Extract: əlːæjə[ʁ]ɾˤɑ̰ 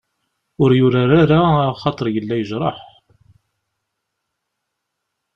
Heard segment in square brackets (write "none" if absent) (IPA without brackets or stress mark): ʒ